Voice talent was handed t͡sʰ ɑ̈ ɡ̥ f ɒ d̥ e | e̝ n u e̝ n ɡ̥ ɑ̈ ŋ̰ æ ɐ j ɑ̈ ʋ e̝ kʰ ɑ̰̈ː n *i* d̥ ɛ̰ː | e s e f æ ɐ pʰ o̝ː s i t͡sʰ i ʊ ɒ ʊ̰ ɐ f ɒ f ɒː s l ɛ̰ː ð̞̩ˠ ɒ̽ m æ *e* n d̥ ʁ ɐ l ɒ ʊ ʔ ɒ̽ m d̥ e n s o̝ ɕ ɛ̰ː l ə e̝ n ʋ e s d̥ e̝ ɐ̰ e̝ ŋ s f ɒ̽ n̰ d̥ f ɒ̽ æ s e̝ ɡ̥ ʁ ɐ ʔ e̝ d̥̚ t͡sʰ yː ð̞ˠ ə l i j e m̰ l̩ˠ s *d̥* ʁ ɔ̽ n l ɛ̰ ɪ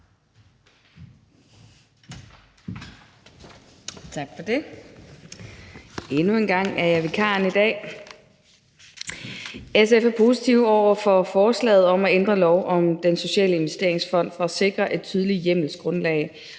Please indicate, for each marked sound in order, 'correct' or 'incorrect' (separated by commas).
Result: correct, correct, incorrect